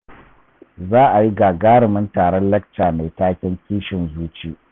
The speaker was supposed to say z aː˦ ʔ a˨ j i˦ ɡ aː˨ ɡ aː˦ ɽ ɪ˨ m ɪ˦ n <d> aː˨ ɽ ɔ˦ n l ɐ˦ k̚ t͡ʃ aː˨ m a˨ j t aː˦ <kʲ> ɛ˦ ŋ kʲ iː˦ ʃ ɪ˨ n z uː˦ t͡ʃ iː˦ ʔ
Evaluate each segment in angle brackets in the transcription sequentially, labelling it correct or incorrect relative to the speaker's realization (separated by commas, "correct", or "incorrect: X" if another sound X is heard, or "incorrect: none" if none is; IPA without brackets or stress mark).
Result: incorrect: t, correct